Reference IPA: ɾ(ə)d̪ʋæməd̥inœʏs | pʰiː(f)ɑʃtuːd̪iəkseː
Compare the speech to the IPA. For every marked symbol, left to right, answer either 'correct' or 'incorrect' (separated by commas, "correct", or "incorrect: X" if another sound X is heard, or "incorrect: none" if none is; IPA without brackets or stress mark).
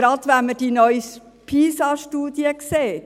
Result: incorrect: ɑ, incorrect: s